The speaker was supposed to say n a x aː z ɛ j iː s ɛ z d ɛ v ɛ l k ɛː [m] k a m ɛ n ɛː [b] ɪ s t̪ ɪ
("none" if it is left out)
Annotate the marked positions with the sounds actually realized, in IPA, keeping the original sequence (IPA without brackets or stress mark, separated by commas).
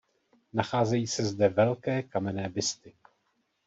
none, b